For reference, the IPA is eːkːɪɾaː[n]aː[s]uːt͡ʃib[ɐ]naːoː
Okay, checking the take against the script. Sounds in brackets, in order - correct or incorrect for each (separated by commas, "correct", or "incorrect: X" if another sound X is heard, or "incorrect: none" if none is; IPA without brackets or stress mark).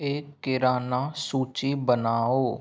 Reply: correct, correct, incorrect: ə